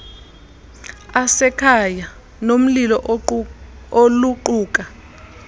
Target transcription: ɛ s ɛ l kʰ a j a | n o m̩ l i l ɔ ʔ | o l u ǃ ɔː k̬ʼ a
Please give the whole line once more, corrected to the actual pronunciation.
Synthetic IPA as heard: a s ɛ kʰ a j a | n o m̩ l i l ɔ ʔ | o l u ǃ uː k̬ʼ a